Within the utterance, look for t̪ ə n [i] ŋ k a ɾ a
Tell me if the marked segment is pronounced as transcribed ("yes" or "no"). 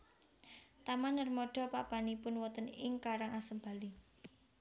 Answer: no